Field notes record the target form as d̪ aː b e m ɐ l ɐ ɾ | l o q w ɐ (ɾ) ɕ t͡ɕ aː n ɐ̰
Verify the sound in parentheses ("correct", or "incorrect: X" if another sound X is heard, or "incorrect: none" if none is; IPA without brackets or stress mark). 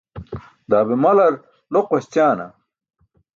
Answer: incorrect: none